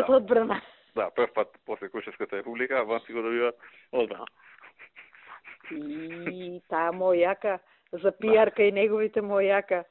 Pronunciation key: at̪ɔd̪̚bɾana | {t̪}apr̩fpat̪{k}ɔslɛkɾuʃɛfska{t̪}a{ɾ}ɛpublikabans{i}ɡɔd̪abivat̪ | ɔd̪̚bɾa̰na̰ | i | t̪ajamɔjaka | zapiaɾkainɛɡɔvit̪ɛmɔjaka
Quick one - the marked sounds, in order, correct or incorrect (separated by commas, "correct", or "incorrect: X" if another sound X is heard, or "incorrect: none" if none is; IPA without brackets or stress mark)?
incorrect: d̪, incorrect: p, correct, correct, correct